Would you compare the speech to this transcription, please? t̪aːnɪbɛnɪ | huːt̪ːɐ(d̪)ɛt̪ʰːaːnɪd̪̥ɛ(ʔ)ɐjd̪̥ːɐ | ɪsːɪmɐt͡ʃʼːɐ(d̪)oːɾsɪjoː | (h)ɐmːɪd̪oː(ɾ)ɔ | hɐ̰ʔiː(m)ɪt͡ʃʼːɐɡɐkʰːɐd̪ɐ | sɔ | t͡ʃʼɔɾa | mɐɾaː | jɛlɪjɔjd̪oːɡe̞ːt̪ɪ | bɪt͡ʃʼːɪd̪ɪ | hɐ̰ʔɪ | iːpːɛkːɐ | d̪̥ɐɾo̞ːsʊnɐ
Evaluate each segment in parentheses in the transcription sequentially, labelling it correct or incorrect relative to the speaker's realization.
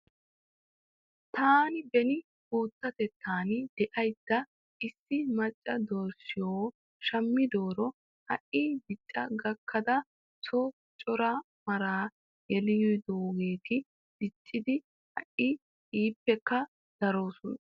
incorrect: t̪, correct, correct, incorrect: ʃ, correct, incorrect: b

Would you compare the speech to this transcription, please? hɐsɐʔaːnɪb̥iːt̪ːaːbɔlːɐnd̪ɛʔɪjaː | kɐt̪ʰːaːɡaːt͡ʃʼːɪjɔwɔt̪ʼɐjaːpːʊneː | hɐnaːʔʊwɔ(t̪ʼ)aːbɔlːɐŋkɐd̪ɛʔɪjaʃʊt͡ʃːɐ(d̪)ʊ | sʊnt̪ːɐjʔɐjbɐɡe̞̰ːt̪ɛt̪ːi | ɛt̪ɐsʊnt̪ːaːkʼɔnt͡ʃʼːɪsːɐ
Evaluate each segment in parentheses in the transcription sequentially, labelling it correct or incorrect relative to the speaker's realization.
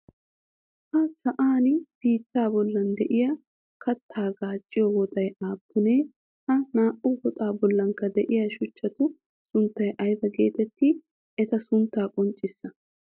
correct, incorrect: t̪

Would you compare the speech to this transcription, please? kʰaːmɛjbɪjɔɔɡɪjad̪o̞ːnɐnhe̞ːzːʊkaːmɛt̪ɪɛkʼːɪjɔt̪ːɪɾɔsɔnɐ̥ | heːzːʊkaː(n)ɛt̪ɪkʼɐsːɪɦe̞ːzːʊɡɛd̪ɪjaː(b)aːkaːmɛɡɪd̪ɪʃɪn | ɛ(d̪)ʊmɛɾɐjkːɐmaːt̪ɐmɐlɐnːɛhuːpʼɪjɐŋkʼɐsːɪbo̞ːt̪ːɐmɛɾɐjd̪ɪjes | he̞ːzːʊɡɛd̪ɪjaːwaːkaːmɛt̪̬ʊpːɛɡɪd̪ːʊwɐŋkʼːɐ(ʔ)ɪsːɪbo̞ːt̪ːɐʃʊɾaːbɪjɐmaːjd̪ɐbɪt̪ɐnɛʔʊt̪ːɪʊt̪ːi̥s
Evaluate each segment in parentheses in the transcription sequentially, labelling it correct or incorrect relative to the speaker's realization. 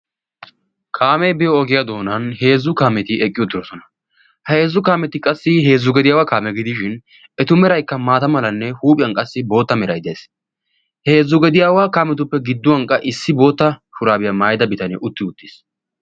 incorrect: m, incorrect: w, incorrect: t̪, correct

